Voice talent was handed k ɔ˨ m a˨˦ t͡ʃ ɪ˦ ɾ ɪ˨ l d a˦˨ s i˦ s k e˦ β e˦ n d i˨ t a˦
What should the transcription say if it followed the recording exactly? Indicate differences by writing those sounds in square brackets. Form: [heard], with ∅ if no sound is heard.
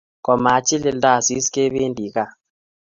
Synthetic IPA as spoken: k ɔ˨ m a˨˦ t͡ʃ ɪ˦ [l] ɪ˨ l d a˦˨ s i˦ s k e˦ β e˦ n d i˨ [k] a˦